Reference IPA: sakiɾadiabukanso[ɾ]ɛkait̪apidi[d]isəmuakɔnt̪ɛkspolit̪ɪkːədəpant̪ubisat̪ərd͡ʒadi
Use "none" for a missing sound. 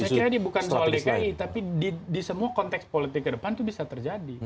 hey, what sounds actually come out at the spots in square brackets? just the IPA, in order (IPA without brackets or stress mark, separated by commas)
l, d